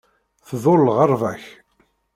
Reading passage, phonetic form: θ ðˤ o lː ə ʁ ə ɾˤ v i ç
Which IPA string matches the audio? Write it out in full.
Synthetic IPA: θ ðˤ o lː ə ʁ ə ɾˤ v æ ç